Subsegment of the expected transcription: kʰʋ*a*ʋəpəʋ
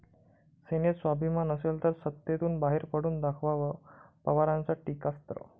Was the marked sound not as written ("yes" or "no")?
no